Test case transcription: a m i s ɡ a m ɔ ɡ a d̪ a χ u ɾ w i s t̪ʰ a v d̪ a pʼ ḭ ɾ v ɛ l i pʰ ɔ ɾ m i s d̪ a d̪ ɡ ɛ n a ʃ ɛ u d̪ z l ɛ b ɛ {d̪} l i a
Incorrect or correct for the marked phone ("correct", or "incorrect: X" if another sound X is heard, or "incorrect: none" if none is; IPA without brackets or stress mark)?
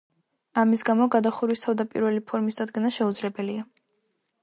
incorrect: none